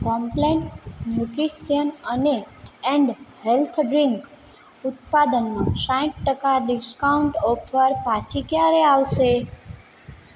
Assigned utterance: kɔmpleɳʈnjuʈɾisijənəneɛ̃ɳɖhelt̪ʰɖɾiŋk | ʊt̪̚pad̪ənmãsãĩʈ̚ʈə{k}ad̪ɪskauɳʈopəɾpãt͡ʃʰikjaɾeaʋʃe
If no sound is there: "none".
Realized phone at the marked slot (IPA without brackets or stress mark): k